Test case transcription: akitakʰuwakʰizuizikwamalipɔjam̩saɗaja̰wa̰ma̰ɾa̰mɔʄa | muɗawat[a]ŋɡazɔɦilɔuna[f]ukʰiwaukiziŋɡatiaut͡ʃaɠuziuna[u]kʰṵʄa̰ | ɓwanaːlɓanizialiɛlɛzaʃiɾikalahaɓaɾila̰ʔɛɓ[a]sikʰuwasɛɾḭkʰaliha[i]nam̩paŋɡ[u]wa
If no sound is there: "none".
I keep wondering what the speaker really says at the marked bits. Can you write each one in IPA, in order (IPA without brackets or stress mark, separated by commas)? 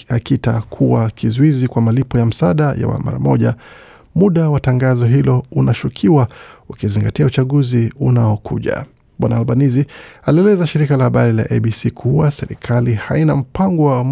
a, ʃ, ɔ, i, i, ɔ